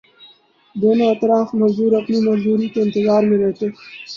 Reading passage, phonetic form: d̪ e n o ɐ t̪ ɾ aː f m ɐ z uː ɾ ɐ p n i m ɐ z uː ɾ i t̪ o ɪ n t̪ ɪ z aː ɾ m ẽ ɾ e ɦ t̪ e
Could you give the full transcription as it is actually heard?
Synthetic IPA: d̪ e n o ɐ t̪ ɾ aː f m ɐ z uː ɾ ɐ p n i m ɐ z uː ɾ i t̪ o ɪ n t̪ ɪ z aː ɾ m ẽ ɾ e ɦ t̪ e